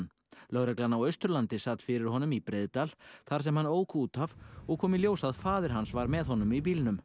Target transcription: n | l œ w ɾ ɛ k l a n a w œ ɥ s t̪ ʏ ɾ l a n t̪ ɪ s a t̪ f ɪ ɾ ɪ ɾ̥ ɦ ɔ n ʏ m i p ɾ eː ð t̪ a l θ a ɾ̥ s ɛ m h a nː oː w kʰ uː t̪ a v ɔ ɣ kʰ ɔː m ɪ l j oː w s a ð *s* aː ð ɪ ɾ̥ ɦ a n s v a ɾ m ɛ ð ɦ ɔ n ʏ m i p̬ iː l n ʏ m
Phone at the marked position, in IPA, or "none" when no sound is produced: f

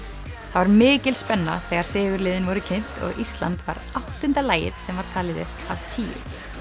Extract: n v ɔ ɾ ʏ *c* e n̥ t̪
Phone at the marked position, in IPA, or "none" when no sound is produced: cʰ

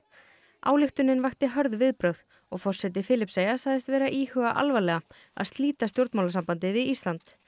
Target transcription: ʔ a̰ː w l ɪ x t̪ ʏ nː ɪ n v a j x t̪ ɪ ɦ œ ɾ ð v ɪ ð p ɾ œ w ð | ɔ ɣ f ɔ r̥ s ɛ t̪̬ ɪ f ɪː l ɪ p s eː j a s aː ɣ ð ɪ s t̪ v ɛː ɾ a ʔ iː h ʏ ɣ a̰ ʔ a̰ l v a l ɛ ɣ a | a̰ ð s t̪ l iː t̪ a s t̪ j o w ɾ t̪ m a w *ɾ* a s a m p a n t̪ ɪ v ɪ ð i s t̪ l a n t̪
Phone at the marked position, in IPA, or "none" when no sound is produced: l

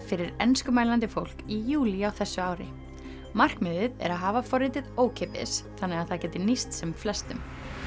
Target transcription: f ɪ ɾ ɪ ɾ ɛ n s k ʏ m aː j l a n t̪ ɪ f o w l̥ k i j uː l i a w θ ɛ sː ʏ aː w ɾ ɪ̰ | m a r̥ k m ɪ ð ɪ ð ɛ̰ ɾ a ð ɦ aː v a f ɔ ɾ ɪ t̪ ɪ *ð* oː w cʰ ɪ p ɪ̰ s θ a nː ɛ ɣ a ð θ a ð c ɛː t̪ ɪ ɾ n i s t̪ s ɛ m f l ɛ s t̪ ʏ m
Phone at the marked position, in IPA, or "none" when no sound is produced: ð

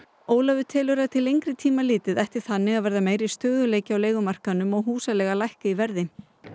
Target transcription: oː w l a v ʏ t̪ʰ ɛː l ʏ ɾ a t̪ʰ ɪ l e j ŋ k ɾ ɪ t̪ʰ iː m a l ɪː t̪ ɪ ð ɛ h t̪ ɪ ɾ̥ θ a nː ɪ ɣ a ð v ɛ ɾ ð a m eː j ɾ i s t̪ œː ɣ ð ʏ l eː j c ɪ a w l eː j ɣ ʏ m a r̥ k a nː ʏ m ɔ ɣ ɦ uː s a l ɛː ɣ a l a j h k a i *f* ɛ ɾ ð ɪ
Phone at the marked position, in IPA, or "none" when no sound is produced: v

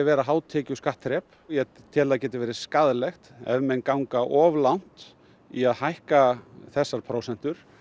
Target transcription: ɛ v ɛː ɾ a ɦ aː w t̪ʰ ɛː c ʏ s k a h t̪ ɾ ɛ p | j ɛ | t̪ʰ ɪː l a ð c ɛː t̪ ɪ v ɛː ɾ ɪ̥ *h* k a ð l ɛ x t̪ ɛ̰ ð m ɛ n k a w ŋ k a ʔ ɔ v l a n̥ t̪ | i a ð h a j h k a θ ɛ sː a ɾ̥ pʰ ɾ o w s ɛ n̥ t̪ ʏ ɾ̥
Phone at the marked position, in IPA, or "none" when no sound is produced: s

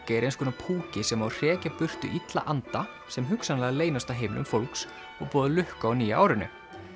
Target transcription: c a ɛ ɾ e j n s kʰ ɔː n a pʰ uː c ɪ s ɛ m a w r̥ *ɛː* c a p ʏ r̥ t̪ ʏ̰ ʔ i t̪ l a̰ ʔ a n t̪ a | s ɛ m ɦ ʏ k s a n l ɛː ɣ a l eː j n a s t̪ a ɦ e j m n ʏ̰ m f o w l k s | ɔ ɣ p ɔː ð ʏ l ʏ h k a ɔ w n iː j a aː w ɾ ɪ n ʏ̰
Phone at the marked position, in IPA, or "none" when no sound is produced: ɛː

